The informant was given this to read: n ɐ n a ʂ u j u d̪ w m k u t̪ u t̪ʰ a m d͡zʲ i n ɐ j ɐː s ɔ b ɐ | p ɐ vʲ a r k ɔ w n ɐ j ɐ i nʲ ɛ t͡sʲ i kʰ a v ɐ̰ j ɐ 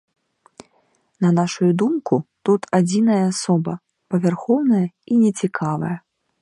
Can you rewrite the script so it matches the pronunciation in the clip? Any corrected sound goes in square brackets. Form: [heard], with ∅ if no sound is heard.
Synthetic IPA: n ɐ n a ʂ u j u d̪ [u] m k u t̪ u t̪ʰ a [∅] d͡zʲ i n ɐ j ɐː s ɔ b ɐ | p ɐ vʲ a r [x] ɔ w n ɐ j ɐ i nʲ ɛ t͡sʲ i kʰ a v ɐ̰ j ɐ